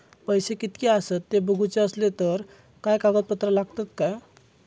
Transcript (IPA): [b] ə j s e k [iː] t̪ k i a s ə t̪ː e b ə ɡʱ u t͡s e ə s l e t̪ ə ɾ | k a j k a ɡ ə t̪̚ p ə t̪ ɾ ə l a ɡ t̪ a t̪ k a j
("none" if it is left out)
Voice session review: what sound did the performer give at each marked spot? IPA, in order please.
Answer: p, i

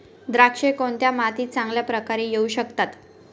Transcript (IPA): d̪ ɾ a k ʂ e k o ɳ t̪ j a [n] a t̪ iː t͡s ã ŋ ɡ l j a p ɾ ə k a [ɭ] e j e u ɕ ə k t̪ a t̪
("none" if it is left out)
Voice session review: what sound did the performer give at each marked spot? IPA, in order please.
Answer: m, ɾ

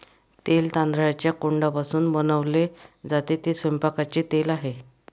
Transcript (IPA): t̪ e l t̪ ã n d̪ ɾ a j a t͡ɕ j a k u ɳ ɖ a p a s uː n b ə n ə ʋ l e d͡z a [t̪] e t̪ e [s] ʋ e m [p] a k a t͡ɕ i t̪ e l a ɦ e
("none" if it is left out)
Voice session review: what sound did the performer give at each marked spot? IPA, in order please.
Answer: t̪, s, p

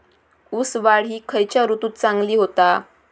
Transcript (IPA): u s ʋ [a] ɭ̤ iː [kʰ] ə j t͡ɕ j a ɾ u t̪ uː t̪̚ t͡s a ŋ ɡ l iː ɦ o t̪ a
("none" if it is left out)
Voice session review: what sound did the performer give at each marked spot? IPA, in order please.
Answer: a, kʰ

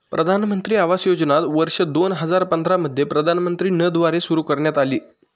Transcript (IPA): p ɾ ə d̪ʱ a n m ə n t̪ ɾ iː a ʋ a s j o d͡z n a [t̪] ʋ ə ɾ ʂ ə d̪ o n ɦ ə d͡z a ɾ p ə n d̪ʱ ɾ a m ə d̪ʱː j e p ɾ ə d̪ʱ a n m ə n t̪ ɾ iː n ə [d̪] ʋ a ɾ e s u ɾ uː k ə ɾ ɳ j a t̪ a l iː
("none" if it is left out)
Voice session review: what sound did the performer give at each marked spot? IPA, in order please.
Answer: t̪, d̪

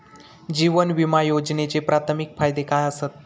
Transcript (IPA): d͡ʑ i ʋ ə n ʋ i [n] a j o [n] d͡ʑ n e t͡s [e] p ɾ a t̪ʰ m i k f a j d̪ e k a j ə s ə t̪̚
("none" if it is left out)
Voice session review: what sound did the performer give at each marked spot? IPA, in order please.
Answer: m, none, e

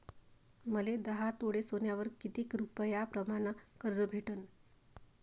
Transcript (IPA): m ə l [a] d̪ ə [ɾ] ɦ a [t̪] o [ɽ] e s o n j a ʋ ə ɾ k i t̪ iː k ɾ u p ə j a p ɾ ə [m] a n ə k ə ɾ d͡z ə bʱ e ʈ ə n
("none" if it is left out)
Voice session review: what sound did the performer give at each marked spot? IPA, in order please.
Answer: e, none, t̪, ɽ, m

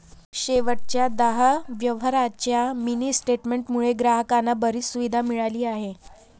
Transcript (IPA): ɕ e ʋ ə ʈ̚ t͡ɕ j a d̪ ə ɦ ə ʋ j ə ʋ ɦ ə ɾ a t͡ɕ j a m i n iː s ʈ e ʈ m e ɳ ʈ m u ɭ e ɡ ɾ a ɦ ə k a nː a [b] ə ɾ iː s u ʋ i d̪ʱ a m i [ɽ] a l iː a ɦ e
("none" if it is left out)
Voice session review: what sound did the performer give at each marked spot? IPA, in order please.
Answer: b, ɭ

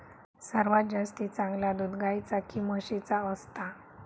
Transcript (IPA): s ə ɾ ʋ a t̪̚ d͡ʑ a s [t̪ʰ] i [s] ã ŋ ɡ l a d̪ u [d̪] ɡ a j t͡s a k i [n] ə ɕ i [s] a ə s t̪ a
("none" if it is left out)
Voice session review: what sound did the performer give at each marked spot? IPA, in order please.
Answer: t̪, t͡s, d̪, m, t͡s

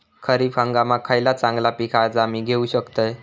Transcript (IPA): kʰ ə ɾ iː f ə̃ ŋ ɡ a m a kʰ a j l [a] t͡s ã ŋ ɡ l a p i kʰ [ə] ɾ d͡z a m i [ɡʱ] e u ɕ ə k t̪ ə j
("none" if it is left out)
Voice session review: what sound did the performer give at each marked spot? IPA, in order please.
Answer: a, a, ɡʱ

